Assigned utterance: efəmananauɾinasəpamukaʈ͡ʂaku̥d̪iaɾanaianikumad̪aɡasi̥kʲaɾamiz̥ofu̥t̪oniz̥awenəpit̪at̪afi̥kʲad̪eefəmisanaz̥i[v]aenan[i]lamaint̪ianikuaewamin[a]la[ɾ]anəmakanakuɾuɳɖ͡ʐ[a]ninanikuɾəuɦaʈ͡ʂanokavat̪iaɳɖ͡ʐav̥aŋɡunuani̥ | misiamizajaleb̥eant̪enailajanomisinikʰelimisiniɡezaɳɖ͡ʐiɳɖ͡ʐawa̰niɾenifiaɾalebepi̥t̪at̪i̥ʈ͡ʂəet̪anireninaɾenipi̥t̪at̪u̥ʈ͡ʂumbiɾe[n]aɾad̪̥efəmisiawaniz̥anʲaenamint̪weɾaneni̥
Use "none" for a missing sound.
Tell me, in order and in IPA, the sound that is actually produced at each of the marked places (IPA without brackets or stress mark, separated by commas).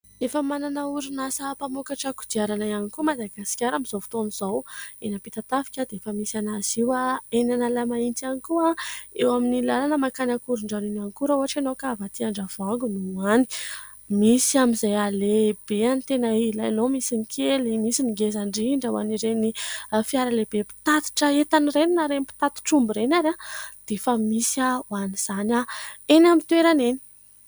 w, a, i, l, a, n